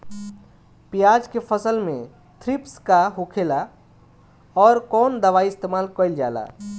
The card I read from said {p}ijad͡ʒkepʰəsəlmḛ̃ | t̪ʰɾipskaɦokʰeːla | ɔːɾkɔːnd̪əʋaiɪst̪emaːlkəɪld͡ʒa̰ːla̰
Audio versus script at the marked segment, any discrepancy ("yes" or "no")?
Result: no